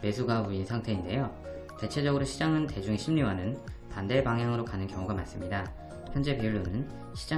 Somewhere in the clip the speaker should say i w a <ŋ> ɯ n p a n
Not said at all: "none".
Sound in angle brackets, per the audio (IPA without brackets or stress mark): n